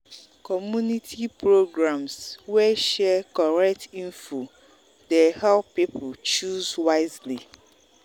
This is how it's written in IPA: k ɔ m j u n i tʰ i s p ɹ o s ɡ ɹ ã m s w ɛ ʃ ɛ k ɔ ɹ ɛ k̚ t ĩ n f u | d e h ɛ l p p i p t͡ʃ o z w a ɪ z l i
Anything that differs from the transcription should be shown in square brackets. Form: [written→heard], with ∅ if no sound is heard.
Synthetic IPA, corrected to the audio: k ɔ m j u n i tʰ i [s→∅] p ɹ o [s→∅] ɡ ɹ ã m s w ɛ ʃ ɛ k ɔ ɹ ɛ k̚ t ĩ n f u | d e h ɛ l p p i p t͡ʃ [o→u] z w a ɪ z l i